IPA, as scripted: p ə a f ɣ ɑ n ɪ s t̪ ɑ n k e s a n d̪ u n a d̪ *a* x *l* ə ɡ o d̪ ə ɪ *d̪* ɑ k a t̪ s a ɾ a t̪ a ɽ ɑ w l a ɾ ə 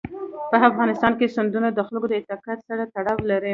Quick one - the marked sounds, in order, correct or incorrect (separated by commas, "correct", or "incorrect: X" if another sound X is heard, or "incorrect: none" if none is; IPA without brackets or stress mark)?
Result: incorrect: ə, correct, incorrect: t̪